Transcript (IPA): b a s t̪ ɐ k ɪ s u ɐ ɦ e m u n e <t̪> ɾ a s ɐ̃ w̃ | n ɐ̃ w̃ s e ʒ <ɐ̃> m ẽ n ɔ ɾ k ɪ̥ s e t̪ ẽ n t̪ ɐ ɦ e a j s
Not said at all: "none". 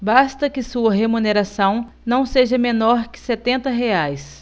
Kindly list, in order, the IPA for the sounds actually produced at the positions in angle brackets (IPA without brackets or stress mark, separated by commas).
none, ɐ